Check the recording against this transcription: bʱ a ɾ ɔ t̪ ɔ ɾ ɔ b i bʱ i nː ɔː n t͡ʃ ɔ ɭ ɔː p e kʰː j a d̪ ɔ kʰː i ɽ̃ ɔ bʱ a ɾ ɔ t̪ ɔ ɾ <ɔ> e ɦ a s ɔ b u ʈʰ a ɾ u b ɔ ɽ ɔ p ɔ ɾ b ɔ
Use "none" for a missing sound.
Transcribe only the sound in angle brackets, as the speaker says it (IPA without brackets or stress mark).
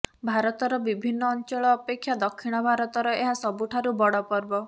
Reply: ɔ